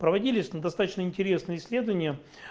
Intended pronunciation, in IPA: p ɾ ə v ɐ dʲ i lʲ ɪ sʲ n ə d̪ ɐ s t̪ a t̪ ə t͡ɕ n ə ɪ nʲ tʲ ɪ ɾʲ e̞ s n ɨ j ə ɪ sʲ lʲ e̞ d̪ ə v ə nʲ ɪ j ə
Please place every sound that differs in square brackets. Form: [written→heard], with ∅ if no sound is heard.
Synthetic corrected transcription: p ɾ ə v ɐ dʲ i lʲ ɪ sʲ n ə d̪ ɐ s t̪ a t̪ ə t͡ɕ n ə ɪ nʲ tʲ ɪ ɾʲ e̞ s n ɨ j ə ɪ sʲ lʲ e̞ d̪ ə v ə nʲ ɪ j ə